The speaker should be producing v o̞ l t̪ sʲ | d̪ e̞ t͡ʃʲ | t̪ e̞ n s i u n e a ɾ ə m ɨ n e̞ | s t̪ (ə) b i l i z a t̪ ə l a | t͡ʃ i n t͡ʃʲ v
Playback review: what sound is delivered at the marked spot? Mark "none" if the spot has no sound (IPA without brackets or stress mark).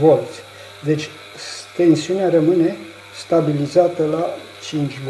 a